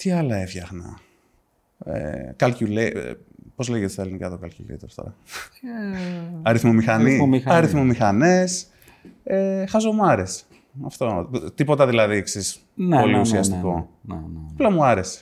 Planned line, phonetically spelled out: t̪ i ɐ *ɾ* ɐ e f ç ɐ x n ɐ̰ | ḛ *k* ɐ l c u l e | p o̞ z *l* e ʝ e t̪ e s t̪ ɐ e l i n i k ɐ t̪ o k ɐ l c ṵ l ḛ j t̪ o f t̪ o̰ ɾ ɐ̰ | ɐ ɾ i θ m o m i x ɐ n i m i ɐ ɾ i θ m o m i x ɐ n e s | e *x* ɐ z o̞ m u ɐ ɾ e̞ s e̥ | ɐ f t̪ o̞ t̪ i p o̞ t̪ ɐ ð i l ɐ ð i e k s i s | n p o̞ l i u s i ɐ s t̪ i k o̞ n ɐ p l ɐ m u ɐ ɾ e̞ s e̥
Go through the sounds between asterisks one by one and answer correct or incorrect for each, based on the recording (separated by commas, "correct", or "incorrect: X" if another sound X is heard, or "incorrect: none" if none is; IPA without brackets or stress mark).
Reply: incorrect: l, correct, correct, correct